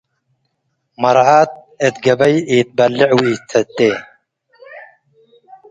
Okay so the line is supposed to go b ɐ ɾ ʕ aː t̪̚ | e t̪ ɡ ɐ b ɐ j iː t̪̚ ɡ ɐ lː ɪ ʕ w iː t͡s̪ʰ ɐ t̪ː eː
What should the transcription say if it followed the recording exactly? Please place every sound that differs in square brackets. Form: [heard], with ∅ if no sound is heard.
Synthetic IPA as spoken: [m] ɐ ɾ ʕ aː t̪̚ | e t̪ ɡ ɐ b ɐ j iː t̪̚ [b] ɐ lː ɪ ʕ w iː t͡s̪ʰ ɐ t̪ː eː